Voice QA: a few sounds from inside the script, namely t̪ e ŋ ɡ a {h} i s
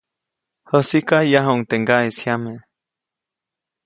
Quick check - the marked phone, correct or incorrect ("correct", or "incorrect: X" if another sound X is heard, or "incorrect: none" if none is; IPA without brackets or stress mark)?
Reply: incorrect: none